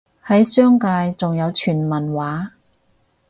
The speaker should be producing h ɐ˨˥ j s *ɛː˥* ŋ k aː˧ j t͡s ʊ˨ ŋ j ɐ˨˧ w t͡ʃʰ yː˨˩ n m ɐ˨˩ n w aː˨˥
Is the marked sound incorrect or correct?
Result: incorrect: œː˥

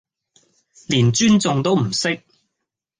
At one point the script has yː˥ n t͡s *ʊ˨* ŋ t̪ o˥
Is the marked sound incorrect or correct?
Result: correct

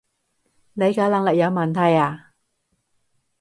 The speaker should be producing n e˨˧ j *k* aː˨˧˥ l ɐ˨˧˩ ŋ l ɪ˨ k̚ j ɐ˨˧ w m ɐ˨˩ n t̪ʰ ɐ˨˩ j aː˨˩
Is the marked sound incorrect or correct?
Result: correct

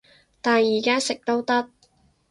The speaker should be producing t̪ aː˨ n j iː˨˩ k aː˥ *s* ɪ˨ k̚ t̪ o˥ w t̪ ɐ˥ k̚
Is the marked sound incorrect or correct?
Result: correct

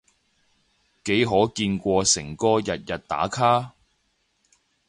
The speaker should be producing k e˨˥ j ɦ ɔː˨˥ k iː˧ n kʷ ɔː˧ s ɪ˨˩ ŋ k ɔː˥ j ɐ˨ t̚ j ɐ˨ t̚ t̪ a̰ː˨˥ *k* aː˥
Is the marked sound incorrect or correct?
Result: incorrect: kʰ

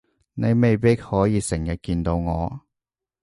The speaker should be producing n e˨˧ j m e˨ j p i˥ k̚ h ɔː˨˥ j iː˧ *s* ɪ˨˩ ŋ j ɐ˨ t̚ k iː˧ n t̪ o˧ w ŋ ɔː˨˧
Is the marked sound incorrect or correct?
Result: correct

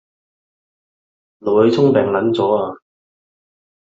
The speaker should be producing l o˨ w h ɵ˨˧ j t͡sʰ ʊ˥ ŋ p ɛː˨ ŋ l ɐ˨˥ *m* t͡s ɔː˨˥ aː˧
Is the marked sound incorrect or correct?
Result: incorrect: n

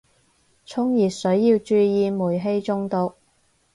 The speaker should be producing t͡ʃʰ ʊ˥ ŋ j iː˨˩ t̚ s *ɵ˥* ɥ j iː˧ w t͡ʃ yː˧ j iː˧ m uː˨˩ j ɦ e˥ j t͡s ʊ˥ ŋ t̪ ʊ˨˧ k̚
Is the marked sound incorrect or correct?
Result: incorrect: ɵ˨˥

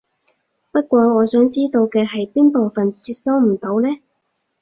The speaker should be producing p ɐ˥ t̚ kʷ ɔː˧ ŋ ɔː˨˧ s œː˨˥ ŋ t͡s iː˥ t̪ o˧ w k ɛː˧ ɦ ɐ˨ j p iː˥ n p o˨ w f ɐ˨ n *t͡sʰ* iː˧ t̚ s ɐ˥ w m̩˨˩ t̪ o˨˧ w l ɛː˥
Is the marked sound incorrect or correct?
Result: incorrect: t͡s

